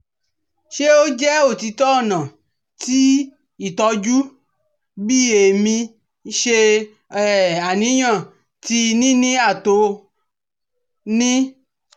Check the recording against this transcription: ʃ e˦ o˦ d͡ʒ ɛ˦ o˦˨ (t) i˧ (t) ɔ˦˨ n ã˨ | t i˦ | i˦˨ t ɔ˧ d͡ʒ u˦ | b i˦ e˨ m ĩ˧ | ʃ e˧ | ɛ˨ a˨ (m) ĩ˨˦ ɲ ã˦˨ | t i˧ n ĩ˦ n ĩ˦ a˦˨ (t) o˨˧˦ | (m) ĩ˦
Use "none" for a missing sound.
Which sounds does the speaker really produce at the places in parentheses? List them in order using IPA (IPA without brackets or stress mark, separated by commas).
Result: t, t, n, t, n